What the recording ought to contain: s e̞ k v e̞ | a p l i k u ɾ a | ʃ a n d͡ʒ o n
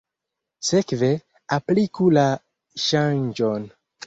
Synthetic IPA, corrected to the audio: s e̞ k v e̞ | a p l i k u l a | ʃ a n d͡ʒ o n